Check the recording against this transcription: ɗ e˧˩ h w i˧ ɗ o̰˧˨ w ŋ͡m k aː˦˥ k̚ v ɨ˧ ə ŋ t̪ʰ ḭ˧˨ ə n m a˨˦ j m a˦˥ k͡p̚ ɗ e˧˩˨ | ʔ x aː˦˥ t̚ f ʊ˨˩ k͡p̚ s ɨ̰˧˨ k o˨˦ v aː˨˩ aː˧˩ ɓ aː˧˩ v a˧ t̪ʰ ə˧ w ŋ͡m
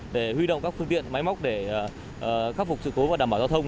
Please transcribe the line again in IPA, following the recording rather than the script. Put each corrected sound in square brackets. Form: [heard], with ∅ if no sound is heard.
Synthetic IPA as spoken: ɗ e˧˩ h w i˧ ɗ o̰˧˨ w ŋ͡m k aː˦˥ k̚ [f] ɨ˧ ə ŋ [t̪] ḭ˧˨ ə n m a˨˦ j m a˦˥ k͡p̚ ɗ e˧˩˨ | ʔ x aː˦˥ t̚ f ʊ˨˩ k͡p̚ s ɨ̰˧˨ k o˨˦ v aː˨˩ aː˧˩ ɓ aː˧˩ [z] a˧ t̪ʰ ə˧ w ŋ͡m